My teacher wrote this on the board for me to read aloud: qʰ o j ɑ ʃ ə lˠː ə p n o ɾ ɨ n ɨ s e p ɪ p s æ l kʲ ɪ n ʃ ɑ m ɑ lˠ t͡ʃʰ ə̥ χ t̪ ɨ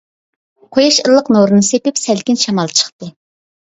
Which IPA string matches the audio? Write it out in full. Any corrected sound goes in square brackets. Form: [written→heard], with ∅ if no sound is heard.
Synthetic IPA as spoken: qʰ o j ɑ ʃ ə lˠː ə [p→q] n o ɾ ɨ n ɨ s e p ɪ p s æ l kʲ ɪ n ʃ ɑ m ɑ lˠ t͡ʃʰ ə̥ χ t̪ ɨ